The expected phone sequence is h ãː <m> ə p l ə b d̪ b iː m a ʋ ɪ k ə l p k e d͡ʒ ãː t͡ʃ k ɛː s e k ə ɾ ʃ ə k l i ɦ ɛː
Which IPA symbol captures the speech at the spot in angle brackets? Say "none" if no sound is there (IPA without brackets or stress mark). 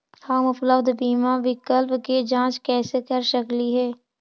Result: m